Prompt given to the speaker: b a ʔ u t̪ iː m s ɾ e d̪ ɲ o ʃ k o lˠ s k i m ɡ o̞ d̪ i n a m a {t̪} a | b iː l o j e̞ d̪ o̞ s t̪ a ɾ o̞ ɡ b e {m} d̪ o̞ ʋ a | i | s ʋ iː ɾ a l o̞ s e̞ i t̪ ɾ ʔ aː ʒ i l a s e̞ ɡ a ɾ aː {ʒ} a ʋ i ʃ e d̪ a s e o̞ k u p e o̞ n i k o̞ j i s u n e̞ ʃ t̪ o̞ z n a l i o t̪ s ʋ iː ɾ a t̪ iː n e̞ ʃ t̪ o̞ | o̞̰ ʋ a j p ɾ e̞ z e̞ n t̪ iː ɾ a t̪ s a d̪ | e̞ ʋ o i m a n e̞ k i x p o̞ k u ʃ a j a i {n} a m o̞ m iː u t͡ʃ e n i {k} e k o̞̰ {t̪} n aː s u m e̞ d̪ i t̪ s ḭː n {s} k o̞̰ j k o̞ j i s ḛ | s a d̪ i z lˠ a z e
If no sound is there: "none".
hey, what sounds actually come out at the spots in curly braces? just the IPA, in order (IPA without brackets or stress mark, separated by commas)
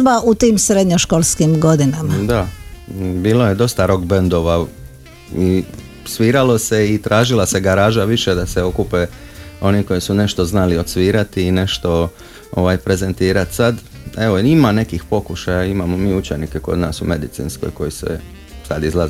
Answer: d̪, n, ʒ, m, k, d̪, s